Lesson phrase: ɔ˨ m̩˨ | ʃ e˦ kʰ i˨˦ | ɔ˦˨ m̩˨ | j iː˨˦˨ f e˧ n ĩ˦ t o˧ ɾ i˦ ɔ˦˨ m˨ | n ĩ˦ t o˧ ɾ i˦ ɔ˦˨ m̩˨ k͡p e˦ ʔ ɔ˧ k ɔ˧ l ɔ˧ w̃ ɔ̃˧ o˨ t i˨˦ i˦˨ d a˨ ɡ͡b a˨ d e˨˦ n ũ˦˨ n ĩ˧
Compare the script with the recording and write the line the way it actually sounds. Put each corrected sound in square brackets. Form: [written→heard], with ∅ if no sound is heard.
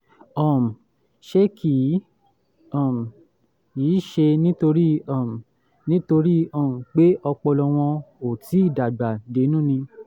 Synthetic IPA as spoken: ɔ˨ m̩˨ | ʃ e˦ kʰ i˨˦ | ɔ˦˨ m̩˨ | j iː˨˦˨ [f→ʃ] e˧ n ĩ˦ t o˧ ɾ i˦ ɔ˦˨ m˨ | n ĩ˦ t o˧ ɾ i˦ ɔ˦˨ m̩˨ k͡p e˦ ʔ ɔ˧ [k→k͡p] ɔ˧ l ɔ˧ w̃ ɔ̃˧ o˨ t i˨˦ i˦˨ d a˨ ɡ͡b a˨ d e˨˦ n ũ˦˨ n ĩ˧

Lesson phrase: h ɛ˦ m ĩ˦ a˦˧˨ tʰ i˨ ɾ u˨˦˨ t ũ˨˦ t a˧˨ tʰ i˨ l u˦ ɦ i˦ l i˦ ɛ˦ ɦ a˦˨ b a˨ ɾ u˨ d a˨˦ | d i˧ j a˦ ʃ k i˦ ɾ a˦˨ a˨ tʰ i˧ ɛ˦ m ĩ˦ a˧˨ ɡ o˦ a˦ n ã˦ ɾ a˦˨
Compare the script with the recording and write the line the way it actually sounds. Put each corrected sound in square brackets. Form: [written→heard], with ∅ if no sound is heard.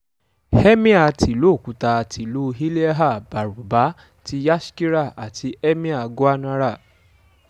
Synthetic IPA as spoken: h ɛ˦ m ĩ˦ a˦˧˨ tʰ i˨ [ɾ→l] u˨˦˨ [t→k] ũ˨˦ t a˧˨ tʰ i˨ l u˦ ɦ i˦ l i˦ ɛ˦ ɦ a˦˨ b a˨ ɾ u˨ [d→b] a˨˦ | [d→t] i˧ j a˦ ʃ k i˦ ɾ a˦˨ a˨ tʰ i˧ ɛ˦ m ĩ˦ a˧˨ ɡ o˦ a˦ n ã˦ ɾ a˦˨

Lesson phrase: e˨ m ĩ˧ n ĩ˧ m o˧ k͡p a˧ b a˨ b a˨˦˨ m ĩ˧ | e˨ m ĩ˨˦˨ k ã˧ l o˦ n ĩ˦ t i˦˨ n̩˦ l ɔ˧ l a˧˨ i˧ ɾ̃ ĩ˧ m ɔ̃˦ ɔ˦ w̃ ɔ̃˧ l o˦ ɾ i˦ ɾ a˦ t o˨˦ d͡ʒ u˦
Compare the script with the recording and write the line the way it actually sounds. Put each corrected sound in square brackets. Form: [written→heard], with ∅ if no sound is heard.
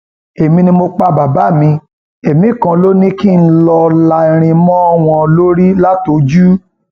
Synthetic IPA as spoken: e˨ m ĩ˧ n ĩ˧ m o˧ k͡p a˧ b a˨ b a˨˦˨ m ĩ˧ | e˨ m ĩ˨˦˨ k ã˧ l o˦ n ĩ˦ [t→k] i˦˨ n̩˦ l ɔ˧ l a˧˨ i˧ ɾ̃ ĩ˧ m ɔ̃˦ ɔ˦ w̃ ɔ̃˧ l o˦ ɾ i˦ [ɾ→l] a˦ t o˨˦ d͡ʒ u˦

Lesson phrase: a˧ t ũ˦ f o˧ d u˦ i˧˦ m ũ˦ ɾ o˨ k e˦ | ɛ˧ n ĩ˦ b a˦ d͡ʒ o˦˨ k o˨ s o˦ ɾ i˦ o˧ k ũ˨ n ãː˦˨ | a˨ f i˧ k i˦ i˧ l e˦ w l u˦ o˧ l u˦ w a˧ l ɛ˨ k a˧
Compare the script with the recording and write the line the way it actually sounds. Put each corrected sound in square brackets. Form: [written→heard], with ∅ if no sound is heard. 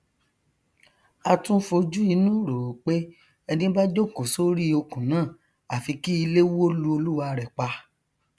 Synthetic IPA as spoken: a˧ t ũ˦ f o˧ [d→d͡ʒ] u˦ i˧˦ [m→n] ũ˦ ɾ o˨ [k→k͡p] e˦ | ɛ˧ n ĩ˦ b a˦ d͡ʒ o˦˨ k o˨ s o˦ ɾ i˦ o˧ k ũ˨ n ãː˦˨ | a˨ f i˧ k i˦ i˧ l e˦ w l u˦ o˧ l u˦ w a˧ [l→ɾ] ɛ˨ [k→k͡p] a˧

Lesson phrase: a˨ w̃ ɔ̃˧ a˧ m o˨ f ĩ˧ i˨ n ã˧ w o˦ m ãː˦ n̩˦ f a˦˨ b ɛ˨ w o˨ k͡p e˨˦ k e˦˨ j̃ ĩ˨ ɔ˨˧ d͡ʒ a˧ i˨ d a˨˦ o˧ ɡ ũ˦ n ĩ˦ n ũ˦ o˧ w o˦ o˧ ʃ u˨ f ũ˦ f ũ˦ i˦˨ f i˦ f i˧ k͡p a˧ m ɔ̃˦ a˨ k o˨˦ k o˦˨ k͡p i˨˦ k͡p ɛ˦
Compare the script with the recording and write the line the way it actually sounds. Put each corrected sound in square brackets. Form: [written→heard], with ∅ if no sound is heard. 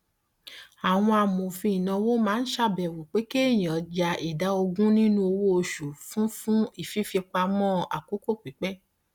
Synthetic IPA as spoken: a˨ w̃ ɔ̃˧ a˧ m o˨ f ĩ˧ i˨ n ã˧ w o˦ m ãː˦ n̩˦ [f→ʃ] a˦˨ b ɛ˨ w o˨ k͡p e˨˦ k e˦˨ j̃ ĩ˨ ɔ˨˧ d͡ʒ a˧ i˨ d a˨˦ o˧ ɡ ũ˦ n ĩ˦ n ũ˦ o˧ w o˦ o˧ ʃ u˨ f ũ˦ f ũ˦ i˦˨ f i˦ f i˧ k͡p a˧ m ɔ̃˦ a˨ k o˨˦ k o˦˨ k͡p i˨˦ k͡p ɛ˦

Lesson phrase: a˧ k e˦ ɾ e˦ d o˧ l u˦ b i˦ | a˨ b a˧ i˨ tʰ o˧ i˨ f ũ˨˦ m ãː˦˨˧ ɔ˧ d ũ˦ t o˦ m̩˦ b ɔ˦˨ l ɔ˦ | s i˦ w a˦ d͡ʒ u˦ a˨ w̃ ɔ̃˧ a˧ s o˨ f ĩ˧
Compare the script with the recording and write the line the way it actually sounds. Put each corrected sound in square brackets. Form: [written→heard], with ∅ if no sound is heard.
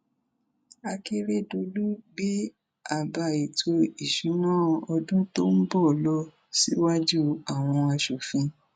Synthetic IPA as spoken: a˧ k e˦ ɾ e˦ d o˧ l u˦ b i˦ | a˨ b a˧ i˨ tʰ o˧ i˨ [f→ʃ] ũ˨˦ [m→n] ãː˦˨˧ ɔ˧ d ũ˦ t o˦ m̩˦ b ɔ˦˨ l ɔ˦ | s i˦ w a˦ d͡ʒ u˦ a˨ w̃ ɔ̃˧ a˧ [s→ʃ] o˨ f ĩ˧

